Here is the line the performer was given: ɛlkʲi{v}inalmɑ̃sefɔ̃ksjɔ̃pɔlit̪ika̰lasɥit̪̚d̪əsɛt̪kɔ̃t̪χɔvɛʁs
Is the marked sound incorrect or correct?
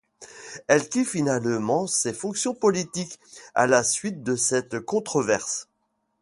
incorrect: f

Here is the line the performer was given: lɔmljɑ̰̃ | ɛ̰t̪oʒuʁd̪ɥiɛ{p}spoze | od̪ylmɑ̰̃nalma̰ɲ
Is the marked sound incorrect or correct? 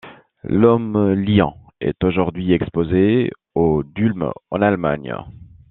incorrect: k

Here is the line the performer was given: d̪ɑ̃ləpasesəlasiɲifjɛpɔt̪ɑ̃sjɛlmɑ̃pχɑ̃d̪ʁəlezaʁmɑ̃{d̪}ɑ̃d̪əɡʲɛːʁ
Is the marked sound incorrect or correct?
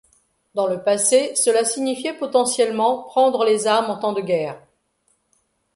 incorrect: t̪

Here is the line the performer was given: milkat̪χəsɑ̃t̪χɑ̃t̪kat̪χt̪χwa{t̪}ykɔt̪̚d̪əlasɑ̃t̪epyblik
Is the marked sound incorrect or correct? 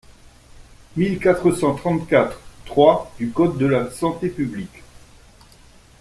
incorrect: d̪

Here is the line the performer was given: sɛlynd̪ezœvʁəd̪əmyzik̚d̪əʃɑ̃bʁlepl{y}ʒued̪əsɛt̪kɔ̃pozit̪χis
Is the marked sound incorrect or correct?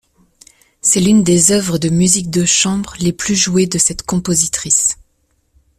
correct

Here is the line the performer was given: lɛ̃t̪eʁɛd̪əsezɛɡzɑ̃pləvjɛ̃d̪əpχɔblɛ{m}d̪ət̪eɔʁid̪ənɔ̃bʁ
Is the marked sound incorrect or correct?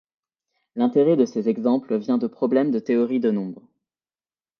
correct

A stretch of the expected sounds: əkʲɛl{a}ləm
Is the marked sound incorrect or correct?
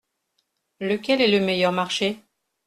incorrect: ɛ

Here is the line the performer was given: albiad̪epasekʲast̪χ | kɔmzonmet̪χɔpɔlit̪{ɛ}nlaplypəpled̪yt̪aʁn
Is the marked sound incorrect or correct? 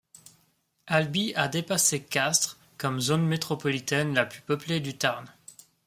correct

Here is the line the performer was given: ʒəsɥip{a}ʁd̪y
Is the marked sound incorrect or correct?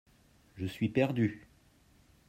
incorrect: ɛ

